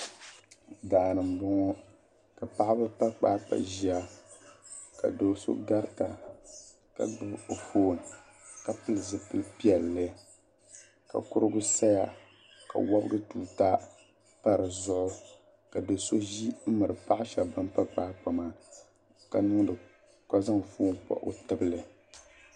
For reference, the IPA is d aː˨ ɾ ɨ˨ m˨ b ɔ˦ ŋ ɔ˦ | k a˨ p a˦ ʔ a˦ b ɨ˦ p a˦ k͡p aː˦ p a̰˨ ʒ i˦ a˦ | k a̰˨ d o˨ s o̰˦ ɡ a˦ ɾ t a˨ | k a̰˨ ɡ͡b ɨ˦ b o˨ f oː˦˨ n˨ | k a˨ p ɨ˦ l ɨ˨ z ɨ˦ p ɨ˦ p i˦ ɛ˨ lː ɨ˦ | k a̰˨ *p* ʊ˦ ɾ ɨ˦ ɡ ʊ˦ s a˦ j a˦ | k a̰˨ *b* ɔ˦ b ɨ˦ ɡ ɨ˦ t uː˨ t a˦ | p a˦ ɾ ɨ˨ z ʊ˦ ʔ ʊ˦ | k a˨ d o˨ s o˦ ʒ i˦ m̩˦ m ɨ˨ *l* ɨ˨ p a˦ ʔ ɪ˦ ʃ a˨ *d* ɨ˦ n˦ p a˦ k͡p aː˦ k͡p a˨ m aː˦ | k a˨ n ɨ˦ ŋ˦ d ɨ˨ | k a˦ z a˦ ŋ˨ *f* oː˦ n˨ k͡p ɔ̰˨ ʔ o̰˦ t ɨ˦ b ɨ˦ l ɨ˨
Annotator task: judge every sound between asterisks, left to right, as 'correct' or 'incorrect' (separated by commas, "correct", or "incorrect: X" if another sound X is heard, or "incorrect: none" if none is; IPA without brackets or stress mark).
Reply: incorrect: k, incorrect: w, incorrect: ɾ, incorrect: b, correct